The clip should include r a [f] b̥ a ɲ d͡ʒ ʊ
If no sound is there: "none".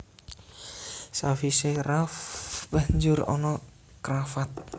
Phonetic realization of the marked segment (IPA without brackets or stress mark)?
f